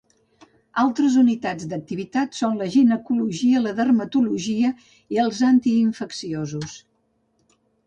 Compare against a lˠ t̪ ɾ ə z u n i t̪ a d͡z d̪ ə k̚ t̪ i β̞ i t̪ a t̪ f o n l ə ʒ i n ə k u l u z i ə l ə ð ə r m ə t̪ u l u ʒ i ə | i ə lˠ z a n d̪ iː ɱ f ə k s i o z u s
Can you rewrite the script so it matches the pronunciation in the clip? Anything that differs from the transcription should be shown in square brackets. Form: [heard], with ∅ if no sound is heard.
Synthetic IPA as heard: a lˠ t̪ ɾ ə z u n i t̪ a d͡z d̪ ə k̚ t̪ i β̞ i t̪ a t̪ [s] o n l ə ʒ i n ə k u l u [ʒ] i ə l ə ð ə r m ə t̪ u l u ʒ i ə | i ə lˠ z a n [t̪] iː ɱ f ə k s i o z u s